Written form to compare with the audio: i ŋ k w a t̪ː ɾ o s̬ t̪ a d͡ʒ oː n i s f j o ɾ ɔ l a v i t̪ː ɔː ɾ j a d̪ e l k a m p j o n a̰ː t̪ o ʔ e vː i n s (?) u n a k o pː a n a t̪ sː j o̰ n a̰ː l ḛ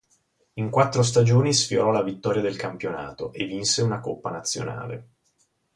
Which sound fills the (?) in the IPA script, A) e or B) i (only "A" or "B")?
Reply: A